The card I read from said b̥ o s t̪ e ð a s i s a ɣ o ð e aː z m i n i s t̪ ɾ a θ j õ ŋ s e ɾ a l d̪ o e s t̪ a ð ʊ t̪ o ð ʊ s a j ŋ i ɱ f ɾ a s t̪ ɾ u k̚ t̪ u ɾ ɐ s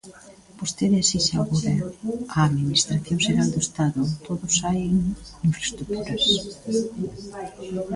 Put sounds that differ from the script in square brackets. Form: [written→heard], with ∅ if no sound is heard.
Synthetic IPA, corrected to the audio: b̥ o s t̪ e ð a s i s a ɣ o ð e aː [z→ð] m i n i s t̪ ɾ a θ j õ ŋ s e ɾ a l d̪ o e s t̪ a ð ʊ t̪ o ð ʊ s a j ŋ i ɱ f ɾ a s t̪ ɾ u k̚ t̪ u ɾ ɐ s

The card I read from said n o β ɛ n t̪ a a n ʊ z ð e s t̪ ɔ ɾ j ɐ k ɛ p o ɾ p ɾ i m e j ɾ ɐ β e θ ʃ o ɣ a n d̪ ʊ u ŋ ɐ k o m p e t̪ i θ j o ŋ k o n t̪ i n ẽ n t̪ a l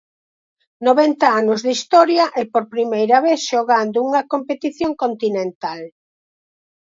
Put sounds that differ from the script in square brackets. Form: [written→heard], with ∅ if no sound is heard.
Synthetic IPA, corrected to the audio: n o β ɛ n t̪ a a n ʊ z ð [e→i] s t̪ ɔ ɾ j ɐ [k→ʔ] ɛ p o ɾ p ɾ i m e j ɾ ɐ β e θ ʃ o ɣ a n d̪ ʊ u ŋ ɐ k o m p e t̪ i θ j o ŋ k o n t̪ i n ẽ n t̪ a l

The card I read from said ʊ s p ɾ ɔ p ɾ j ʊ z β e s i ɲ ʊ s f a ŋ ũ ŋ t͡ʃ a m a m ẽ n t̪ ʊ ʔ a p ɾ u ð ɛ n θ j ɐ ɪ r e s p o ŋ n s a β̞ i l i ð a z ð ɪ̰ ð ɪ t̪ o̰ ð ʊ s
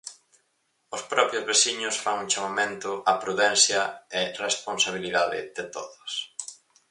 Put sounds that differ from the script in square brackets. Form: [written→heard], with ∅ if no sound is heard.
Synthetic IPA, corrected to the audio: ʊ s p ɾ ɔ p ɾ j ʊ z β e s i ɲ ʊ s f a ŋ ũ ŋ t͡ʃ a m a m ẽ n t̪ ʊ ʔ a p ɾ u ð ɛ n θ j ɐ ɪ r e s p o [ŋ→∅] n s a β̞ i l i ð a [z→∅] ð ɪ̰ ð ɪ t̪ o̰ ð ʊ s

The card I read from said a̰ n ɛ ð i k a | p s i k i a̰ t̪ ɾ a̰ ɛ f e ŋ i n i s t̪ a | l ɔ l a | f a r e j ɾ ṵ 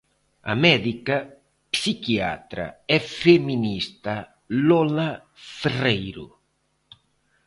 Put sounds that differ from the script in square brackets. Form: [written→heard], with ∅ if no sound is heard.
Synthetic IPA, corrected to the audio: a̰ [n→m] ɛ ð i k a | p s i k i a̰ t̪ ɾ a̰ ɛ f e [ŋ→m] i n i s t̪ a | l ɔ l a | f [a→e] r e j ɾ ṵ

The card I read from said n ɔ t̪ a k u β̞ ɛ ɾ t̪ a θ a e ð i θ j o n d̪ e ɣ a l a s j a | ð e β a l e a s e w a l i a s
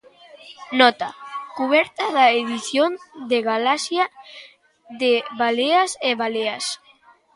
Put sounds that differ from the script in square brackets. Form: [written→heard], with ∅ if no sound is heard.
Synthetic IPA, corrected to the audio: n ɔ t̪ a k u β̞ ɛ ɾ t̪ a [θ→ð] a e ð i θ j o n d̪ e ɣ a l a s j a | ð e β a l e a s e [w→β] a l [i→e] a s

